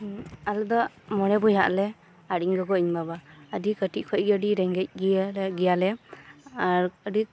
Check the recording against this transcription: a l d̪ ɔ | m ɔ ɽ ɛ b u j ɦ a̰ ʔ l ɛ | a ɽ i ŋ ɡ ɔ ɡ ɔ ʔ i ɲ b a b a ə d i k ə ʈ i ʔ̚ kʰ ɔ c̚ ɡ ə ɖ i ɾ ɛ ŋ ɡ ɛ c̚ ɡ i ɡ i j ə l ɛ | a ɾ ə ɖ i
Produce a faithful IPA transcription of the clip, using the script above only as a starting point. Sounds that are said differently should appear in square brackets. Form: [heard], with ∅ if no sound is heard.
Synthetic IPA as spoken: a l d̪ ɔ | m ɔ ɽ ɛ b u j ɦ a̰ ʔ l ɛ | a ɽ i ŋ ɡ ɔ ɡ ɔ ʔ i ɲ b a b a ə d i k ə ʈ i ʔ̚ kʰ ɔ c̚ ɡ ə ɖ i ɾ ɛ ŋ ɡ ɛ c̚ ɡ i ɡ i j [a] l ɛ | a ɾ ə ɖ i